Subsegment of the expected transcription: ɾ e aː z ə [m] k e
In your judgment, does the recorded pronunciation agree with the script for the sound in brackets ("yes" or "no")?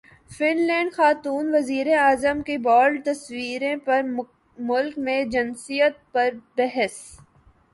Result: yes